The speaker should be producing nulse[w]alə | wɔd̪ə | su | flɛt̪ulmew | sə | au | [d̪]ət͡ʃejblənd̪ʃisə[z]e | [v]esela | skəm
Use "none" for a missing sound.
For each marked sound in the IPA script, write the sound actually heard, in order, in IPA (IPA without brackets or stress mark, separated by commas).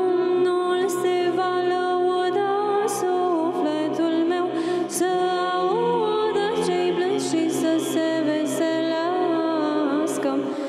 v, d̪, s, v